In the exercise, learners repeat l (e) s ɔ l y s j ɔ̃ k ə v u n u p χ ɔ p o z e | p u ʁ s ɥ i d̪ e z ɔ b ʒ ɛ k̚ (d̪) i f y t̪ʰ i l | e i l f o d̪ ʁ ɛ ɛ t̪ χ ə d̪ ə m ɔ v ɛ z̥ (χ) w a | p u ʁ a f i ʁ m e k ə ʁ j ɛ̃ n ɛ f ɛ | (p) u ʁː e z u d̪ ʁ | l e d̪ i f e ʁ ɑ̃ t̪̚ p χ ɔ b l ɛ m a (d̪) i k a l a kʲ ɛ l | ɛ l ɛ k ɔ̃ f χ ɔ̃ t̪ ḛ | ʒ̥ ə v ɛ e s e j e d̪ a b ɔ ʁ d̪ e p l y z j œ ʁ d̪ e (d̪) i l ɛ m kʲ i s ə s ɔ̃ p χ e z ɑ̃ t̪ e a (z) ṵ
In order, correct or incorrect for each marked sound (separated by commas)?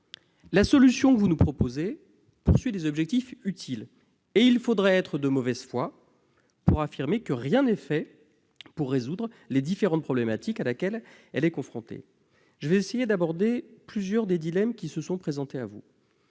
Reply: incorrect, incorrect, incorrect, correct, incorrect, correct, incorrect